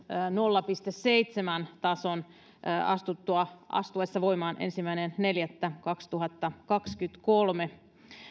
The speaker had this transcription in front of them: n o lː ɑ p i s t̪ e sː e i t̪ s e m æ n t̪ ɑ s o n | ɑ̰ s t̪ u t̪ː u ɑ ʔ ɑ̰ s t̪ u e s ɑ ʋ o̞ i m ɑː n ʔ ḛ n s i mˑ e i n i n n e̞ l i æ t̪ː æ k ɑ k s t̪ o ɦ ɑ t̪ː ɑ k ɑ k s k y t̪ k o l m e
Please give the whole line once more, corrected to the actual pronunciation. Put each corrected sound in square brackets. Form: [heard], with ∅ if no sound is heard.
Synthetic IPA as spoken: n o lː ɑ p i s t̪ e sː e i t̪ s e m æ n t̪ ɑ s o n | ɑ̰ s t̪ u t̪ː u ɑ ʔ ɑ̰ s t̪ u e [sː] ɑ ʋ o̞ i m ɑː n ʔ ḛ n s i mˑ [æ] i n [e] n n e̞ l [j] æ t̪ː æ k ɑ k s t̪ [u] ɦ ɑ t̪ː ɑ k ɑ k s k y t̪ k o l m e